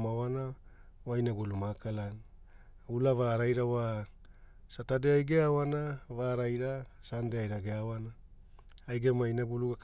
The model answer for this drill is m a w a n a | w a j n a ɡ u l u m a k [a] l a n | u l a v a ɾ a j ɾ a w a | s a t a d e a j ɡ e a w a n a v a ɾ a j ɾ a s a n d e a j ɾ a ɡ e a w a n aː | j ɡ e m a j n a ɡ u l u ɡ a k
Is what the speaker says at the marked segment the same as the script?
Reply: yes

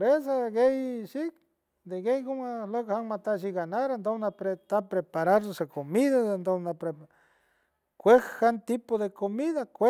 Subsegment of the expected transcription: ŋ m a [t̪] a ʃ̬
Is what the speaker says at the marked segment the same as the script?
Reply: yes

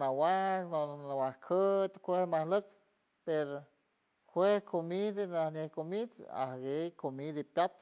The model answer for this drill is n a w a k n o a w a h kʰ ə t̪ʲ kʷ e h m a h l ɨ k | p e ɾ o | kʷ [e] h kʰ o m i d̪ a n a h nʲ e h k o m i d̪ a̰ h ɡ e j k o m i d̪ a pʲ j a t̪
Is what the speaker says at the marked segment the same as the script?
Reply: yes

